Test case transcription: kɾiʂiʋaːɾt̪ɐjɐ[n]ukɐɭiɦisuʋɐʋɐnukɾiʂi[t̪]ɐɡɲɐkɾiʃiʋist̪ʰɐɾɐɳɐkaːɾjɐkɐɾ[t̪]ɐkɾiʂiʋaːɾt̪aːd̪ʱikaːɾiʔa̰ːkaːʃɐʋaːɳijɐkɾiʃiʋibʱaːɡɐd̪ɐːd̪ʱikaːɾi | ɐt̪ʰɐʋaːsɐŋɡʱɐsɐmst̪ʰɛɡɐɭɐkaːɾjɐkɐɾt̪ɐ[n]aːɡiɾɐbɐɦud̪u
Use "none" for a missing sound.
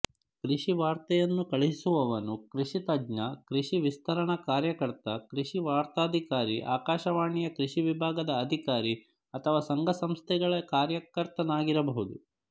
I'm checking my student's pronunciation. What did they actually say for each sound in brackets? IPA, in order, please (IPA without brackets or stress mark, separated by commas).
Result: nː, t̪, t̪, n